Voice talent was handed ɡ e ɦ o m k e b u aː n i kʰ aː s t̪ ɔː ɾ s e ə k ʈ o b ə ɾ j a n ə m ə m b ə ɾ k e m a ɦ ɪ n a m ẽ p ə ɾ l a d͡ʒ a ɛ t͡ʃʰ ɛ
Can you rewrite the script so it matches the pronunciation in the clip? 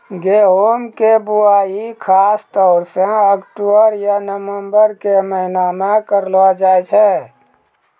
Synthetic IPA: ɡ e ɦ o m k e b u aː i kʰ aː s t̪ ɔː ɾ s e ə k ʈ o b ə ɾ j a n ə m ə m b ə ɾ k e m ə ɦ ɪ n a m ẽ k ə ɾ l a d͡ʒ a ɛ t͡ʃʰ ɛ